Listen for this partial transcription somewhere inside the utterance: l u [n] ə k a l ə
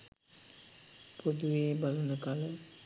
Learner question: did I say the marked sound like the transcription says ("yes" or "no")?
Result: yes